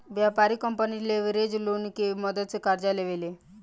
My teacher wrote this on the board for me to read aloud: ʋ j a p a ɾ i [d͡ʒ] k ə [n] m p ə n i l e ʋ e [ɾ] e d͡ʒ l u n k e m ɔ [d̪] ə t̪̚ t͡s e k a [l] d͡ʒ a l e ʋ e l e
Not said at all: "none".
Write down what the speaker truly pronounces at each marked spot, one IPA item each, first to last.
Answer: none, none, ɾ, d̪, ɾ

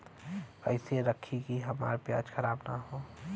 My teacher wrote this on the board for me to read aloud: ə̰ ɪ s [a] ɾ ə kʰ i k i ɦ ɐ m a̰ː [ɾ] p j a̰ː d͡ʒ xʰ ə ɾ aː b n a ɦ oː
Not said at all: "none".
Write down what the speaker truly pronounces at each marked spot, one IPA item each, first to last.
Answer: e, ɾ

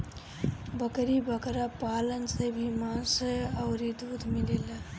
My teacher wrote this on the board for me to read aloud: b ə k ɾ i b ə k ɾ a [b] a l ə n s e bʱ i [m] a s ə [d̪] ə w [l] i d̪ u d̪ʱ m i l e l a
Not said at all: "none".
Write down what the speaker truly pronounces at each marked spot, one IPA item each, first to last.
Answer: p, m, none, ɾ

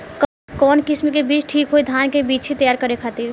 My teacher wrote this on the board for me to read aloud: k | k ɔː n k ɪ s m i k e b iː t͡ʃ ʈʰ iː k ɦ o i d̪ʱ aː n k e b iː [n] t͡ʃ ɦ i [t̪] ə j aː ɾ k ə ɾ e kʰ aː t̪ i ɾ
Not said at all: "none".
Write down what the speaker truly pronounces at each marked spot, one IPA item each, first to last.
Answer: none, t̪

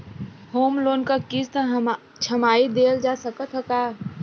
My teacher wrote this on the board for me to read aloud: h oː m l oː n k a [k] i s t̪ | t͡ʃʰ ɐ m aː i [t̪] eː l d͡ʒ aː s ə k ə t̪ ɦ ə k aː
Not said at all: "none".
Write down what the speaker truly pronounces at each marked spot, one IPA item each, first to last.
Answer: k, d̪

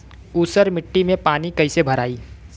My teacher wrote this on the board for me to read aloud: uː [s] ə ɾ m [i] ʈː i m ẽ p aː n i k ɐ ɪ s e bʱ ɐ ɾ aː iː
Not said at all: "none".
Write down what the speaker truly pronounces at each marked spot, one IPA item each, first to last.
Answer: s, ɪ

